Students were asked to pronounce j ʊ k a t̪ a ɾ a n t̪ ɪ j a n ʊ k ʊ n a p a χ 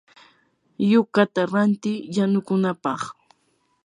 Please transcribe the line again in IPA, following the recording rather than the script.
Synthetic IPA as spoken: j ʊ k a t̪ a ɾ a n t̪ ɪ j a n ʊ k ʊ n a p ɑ χ

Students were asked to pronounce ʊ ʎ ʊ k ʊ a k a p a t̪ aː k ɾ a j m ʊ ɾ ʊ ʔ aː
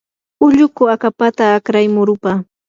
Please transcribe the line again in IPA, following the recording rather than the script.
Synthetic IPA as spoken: ʊ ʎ ʊ k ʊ a k a p a t̪ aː k ɾ a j m ʊ ɾ ʊ p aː

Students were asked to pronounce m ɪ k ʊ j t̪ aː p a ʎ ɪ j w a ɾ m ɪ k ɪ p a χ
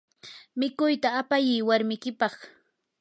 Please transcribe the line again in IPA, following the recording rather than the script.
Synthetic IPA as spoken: m ɪ k ʊ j t̪ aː p a j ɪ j w a ɾ m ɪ k ɪ p ɑ χ

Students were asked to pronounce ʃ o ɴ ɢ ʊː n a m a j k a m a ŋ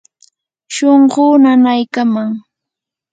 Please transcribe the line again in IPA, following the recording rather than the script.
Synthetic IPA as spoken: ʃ o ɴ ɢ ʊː n a n a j k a m a ŋ

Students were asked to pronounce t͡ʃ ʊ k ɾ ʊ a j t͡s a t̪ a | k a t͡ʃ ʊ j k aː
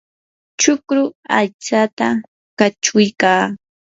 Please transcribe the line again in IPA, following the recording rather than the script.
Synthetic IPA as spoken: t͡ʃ ʊ k ɾ ʊ a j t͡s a t̪ a | k a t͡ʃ ʊ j k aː

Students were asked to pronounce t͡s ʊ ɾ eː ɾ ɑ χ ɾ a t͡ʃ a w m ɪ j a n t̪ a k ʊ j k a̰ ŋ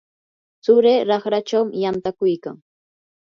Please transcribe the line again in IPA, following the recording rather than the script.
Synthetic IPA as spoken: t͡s ʊ ɾ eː ɾ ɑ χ ɾ a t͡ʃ a w m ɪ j a n t̪ a k ʊ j k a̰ ŋ

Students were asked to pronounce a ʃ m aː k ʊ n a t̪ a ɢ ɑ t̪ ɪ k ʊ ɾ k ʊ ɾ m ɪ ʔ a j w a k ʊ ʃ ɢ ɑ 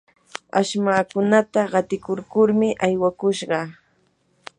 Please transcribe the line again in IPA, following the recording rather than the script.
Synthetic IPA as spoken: a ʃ m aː k ʊ n a t̪ a ɢ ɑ t̪ ɪ k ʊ ɾ k ʊ ɾ m ɪ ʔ a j w a k ʊ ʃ ɢ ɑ

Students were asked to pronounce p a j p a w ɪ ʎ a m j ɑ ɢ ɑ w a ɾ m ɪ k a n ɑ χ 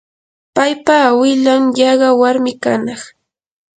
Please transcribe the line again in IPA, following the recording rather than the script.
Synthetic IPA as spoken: p a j p a w ɪ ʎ a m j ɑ ɢ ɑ w a ɾ m ɪ k a n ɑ χ

